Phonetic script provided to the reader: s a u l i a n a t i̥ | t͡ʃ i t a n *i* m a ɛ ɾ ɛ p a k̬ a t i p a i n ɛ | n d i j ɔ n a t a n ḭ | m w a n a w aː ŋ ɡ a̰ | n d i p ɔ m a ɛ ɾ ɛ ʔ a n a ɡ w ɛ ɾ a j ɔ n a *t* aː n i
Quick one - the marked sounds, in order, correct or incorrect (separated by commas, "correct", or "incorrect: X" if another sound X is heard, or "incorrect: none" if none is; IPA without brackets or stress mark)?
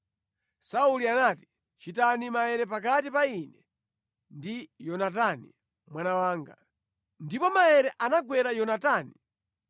correct, correct